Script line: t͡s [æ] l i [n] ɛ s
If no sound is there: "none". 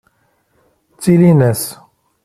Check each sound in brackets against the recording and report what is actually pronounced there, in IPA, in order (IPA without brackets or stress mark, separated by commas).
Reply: i, n